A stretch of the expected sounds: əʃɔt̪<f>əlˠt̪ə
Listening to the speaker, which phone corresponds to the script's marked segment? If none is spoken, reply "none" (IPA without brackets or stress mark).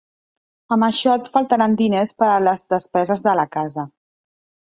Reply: f